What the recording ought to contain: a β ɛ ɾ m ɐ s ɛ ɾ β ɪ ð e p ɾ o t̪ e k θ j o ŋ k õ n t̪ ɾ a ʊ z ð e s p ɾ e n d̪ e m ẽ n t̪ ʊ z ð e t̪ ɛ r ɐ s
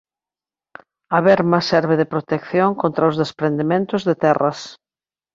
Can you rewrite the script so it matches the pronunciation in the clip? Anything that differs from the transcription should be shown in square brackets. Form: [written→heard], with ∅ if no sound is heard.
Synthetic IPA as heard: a β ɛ ɾ m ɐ s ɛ ɾ β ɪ ð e p ɾ o t̪ e k θ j o ŋ k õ n t̪ ɾ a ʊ z ð e s p ɾ e n d̪ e m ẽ n t̪ ʊ z ð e t̪ ɛ r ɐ s